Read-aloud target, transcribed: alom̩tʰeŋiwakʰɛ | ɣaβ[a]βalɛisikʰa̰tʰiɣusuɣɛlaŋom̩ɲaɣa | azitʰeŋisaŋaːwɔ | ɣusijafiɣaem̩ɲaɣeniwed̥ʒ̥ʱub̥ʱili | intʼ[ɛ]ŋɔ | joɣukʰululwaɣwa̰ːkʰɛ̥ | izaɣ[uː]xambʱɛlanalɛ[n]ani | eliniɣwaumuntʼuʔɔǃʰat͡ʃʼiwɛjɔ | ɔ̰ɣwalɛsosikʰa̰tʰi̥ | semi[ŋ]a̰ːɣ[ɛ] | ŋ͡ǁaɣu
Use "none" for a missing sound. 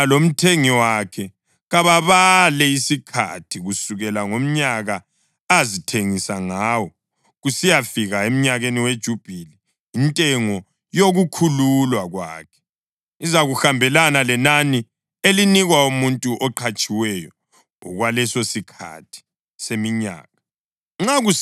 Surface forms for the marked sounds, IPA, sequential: a, ɛ, u, n, ɲ, a

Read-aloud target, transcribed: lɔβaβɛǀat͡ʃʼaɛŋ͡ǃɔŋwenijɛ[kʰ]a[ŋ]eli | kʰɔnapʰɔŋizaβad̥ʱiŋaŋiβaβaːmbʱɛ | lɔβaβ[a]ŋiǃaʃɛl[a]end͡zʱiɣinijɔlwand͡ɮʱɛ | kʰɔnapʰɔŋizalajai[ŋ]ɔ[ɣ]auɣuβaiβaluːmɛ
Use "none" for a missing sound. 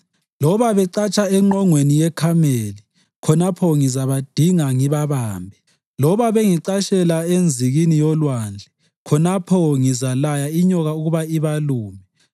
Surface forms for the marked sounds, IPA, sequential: kʰ, m, e, a, ɲ, ɣ

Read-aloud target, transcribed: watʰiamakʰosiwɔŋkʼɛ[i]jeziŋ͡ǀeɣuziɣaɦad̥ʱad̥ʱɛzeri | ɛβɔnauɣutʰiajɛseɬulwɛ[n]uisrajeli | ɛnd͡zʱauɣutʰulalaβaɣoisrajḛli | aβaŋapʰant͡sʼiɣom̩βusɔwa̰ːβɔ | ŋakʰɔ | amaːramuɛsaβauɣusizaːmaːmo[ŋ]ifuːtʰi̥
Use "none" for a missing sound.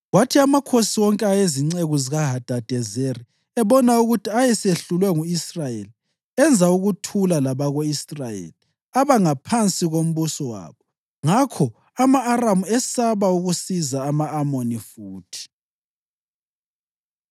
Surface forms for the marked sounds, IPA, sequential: a, ŋ, n

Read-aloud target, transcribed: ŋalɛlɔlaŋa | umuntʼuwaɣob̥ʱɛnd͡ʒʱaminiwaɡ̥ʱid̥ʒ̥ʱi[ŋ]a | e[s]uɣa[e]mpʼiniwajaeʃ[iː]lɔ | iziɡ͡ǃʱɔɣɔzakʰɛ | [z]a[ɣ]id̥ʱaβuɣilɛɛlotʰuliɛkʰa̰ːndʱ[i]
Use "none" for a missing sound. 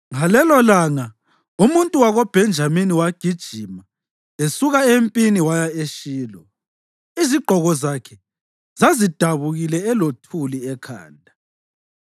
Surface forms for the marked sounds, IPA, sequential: m, s, e, iː, z, z, a

